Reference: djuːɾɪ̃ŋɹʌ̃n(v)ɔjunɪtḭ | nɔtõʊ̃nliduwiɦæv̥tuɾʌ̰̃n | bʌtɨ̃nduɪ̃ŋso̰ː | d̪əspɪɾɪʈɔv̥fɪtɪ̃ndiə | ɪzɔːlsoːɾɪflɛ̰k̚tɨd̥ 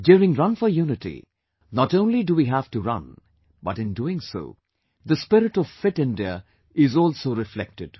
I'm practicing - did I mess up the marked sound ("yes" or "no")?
yes